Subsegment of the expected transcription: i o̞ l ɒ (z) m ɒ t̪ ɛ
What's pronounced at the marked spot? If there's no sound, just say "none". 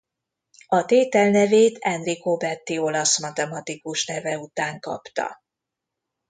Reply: s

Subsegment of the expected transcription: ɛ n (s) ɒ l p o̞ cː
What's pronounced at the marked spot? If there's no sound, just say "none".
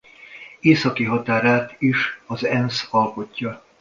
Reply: s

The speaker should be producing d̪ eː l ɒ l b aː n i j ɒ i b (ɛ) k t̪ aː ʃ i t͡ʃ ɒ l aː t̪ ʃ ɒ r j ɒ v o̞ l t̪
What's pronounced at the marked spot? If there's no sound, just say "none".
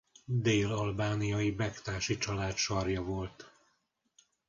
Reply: ɛ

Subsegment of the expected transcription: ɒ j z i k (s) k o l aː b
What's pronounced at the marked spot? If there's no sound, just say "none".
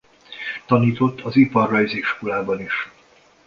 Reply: ʃ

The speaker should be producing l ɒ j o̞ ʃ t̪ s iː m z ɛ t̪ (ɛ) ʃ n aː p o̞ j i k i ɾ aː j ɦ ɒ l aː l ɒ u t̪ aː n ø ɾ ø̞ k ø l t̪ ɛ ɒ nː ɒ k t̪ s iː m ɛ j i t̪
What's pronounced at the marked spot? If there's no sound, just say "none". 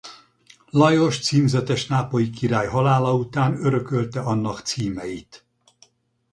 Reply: ɛ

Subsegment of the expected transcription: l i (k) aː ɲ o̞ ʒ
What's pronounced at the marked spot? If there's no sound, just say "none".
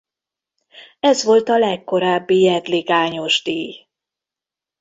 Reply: ɡ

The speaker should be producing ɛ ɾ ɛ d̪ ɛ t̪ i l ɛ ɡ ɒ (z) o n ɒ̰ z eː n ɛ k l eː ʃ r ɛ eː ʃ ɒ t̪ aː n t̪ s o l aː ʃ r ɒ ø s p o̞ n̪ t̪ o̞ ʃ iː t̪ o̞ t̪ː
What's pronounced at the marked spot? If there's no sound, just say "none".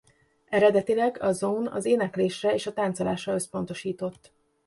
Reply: z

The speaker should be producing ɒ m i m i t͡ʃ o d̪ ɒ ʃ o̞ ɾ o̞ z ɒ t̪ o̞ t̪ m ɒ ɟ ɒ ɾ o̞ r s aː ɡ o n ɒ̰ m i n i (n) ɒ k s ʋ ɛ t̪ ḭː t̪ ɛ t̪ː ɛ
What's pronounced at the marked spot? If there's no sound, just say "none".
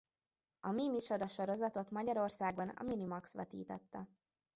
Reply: m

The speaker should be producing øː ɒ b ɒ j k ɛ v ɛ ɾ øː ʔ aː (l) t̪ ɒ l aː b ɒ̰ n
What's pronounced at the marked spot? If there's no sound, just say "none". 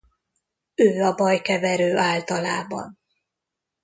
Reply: l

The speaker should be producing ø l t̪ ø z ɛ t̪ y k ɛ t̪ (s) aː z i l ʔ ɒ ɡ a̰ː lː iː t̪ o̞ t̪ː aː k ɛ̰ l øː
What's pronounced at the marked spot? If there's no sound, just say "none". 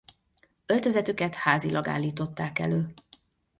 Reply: h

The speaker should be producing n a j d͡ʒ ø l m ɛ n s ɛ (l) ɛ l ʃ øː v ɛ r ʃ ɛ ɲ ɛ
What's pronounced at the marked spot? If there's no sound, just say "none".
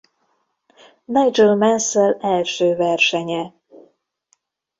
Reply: l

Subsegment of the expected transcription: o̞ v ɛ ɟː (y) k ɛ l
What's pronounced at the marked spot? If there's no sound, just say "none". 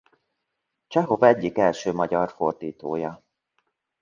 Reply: i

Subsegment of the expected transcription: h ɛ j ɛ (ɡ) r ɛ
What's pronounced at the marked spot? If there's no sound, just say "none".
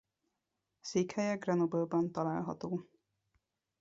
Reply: ɡ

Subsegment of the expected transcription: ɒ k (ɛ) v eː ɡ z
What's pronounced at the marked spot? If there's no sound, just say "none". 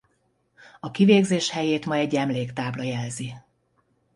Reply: i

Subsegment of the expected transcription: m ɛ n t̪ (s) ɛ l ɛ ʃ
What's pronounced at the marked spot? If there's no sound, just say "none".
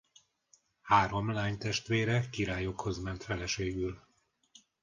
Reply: f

